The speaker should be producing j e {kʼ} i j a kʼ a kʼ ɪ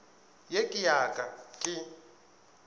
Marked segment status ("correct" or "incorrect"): correct